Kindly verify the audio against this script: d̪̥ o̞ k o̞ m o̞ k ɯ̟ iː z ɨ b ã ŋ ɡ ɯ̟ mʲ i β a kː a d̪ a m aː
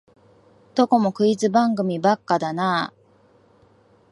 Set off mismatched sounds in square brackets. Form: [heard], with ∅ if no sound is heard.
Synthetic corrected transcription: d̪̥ o̞ k o̞ m o̞ k ɯ̟ [i] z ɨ b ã ŋ ɡ ɯ̟ mʲ i [b] a kː a d̪ a [n] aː